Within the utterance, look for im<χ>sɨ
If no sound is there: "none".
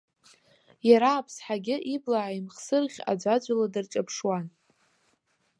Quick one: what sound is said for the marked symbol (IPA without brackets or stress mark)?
χ